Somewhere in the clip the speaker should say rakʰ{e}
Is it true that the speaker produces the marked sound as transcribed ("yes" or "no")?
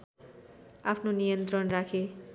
yes